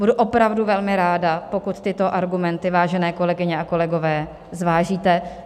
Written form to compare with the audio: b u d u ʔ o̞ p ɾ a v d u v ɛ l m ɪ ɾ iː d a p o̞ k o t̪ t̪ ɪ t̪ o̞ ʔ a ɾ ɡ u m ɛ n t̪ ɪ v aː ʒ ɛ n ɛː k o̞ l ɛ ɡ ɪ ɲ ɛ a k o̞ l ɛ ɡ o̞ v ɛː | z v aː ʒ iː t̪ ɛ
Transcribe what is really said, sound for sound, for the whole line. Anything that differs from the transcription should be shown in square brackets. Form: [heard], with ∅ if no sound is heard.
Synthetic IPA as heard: b u d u ʔ o̞ p ɾ a v d u v ɛ l m ɪ ɾ [aː] d a p o̞ k [u] t̪ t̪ ɪ t̪ o̞ ʔ a ɾ ɡ u m ɛ n t̪ ɪ v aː ʒ ɛ n ɛː k o̞ l ɛ ɡ ɪ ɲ ɛ a k o̞ l ɛ ɡ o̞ v ɛː | z v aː ʒ iː t̪ ɛ